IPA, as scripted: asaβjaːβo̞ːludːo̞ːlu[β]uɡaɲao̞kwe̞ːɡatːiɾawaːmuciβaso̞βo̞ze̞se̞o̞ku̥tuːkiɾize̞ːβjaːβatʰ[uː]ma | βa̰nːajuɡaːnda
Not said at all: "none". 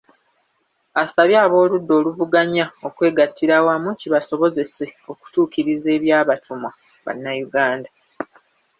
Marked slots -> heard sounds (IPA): v, u

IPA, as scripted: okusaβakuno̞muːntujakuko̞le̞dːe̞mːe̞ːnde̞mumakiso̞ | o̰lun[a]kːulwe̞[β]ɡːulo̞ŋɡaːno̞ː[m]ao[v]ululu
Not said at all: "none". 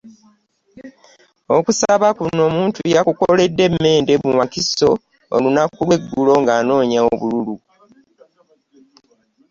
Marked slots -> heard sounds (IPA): a, none, ɲ, β

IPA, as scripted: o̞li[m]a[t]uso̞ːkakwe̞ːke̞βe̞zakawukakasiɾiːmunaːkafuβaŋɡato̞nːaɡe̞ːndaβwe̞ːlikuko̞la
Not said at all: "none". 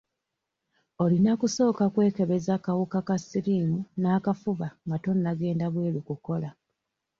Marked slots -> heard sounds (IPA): n, k

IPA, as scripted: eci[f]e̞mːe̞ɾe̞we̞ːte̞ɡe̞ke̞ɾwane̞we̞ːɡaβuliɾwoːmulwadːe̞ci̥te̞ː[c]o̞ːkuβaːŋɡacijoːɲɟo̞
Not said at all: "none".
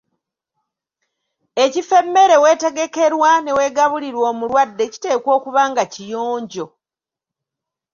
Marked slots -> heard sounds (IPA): f, k

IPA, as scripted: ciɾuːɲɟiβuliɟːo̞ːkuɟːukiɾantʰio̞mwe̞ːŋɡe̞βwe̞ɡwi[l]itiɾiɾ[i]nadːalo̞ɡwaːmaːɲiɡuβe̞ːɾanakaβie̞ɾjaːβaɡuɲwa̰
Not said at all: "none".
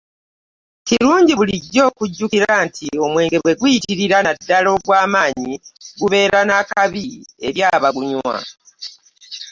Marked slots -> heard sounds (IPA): none, a

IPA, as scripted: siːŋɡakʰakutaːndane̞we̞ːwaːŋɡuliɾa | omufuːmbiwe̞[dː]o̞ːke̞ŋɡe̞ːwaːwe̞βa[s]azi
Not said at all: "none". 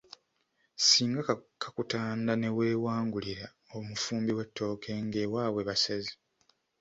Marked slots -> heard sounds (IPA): tː, s

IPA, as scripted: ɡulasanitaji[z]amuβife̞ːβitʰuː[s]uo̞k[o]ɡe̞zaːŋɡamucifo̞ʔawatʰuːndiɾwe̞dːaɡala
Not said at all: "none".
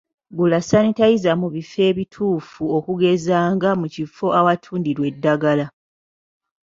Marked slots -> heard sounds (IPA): z, f, u

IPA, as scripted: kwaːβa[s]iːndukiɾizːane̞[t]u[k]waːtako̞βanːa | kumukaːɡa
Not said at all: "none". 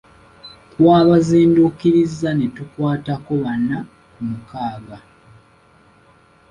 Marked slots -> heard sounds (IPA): z, t, k

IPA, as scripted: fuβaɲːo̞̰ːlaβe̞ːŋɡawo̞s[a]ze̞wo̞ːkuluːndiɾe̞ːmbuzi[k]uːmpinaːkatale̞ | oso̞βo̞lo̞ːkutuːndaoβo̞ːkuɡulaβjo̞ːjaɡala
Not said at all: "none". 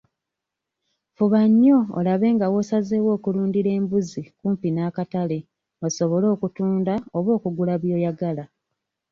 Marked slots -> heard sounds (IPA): a, k

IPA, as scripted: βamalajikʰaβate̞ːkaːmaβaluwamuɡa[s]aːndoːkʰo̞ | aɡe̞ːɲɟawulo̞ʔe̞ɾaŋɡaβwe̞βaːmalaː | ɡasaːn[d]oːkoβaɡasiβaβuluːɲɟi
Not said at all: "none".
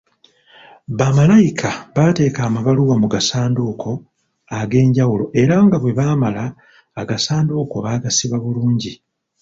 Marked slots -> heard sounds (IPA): s, d

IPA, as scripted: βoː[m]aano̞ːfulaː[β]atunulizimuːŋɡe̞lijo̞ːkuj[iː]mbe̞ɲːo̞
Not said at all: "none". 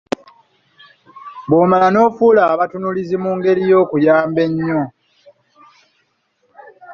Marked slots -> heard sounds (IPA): m, β, aː

